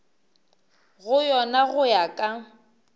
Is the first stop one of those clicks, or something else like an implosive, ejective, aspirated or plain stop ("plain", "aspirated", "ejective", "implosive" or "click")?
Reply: ejective